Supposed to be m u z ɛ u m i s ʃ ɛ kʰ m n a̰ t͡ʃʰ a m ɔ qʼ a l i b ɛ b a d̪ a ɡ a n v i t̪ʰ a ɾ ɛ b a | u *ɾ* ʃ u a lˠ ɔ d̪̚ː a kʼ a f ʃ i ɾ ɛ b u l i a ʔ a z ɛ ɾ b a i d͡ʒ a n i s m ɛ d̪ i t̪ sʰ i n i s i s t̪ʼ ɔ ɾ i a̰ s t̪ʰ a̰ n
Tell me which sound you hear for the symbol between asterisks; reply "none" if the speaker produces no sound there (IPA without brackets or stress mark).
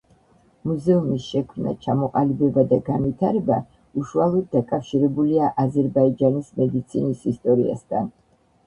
none